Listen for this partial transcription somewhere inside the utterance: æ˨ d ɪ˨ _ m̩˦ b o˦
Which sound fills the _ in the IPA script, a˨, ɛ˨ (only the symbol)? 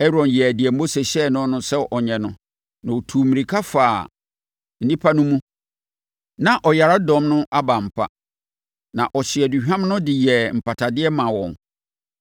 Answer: ɛ˨